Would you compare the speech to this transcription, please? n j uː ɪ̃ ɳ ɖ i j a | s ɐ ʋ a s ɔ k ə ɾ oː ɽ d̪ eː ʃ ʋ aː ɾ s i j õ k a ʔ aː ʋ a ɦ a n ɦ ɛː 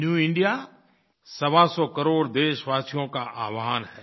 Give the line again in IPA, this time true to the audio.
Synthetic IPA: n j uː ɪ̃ ɳ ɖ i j a | s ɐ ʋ a s ɔ k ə ɾ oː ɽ d̪ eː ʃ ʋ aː s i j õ k a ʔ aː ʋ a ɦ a n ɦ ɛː